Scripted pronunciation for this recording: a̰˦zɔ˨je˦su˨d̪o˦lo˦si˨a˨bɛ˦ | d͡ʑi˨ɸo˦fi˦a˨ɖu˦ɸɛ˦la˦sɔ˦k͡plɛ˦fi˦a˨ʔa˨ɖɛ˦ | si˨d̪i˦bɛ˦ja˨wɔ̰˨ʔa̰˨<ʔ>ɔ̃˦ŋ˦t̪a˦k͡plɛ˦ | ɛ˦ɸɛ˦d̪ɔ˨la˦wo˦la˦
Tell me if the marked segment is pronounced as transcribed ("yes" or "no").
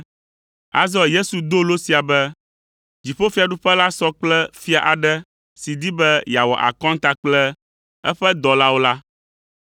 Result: no